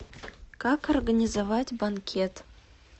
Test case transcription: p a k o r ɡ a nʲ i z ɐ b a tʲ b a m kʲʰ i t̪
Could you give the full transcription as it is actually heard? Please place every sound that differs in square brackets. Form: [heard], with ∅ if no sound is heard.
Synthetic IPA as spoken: [k] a k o r ɡ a nʲ i z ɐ [v] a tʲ b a [n] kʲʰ [e] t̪